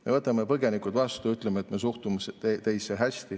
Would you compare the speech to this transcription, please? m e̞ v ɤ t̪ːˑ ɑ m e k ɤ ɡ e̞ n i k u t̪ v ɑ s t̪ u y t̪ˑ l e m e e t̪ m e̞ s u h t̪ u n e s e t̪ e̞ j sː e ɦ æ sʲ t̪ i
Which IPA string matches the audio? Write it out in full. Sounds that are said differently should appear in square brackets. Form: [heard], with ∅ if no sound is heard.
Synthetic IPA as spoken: m e̞ v ɤ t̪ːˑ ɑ m e [p] ɤ ɡ e̞ n i k u t̪ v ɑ s t̪ u y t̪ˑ l e m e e t̪ m e̞ s u h t̪ u [m] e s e t̪ e̞ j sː e ɦ æ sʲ t̪ i